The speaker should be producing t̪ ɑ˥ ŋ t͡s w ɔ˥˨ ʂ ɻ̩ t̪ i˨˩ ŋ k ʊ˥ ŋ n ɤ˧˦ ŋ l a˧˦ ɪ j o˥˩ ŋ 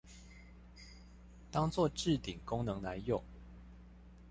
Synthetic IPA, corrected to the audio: t̪ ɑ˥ ŋ t͡s w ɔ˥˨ ʈ͡ʂ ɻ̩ t̪ i˨˩ ŋ k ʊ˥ ŋ n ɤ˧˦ ŋ l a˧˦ ɪ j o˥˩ ŋ